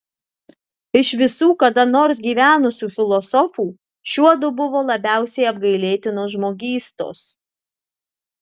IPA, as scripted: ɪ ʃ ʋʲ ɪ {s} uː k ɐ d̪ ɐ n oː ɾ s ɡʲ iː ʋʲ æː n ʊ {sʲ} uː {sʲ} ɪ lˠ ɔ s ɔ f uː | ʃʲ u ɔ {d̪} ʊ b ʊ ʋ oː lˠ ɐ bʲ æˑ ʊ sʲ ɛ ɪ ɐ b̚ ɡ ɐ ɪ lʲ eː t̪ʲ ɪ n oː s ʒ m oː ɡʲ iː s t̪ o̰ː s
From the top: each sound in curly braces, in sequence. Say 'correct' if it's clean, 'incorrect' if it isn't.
correct, correct, incorrect: fʲ, correct

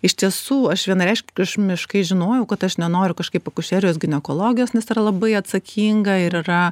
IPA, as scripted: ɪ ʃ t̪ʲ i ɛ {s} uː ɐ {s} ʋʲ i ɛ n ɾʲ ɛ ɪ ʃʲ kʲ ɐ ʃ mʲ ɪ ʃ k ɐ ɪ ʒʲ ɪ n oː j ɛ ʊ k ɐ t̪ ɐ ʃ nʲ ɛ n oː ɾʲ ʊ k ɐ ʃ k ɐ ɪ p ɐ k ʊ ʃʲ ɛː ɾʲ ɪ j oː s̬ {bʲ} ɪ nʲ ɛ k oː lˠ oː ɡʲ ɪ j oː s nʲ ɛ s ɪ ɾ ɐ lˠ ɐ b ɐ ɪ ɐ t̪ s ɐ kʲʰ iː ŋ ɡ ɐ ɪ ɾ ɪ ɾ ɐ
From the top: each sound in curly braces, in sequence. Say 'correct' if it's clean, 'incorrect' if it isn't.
correct, incorrect: ʃ, incorrect: ɡʲ

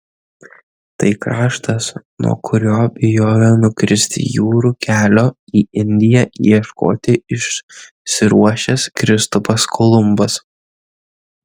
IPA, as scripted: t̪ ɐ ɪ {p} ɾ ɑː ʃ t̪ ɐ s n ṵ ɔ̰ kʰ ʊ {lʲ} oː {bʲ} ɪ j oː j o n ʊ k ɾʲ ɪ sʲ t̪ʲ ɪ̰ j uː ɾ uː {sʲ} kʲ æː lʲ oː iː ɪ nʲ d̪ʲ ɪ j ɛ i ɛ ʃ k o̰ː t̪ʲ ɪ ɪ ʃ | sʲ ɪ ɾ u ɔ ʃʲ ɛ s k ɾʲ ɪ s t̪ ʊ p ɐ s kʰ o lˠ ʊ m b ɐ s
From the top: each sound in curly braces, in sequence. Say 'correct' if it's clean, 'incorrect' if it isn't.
incorrect: k, incorrect: ɾʲ, correct, incorrect: none

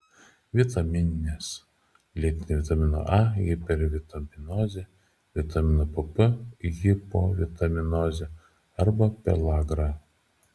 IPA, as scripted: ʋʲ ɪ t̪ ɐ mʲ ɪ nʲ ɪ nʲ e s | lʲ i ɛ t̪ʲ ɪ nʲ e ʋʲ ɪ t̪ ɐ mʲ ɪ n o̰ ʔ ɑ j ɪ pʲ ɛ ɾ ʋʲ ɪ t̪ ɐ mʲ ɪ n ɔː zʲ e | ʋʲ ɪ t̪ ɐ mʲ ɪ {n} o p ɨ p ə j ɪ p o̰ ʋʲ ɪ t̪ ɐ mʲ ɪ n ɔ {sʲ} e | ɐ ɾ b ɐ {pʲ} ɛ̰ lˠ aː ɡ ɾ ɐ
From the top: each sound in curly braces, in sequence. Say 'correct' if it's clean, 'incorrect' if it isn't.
correct, incorrect: zʲ, correct

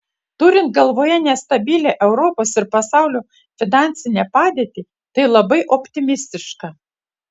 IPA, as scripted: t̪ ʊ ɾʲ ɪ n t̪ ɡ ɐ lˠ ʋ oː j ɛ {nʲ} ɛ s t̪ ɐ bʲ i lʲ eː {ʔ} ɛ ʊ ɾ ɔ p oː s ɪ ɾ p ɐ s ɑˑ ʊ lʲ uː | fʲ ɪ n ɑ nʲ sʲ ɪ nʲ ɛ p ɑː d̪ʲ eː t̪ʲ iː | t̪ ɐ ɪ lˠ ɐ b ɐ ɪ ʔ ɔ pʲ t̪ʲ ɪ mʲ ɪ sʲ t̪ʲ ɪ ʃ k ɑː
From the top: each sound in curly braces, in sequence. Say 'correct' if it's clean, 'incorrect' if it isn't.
correct, correct

